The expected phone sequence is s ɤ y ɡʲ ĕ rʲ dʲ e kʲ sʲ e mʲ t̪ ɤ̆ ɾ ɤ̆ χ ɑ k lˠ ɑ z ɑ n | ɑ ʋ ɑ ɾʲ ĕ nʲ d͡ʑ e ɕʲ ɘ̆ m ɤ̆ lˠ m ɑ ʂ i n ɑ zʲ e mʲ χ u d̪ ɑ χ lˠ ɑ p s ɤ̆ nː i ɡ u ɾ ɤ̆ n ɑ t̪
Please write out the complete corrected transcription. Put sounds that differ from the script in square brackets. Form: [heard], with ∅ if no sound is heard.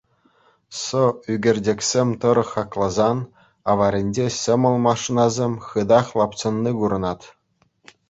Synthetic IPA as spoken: s ɤ y ɡʲ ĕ rʲ dʲ e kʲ sʲ e mʲ t̪ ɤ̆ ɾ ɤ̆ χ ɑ k lˠ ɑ z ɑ n | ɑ ʋ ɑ ɾʲ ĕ nʲ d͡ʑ e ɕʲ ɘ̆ m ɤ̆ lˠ m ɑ ʂ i n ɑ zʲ e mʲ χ [ɯ] d̪ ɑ χ lˠ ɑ p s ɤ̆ nː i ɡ u ɾ ɤ̆ n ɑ t̪